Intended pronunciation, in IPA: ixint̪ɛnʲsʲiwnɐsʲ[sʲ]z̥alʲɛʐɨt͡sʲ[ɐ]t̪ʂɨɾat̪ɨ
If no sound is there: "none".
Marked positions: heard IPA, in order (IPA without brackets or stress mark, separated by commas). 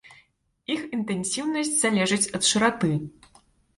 t͡sʲ, ɐ